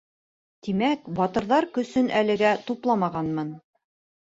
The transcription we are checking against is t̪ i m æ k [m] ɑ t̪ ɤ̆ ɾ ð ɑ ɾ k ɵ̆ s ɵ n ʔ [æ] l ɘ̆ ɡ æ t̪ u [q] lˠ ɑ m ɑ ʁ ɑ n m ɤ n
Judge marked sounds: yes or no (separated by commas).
no, yes, no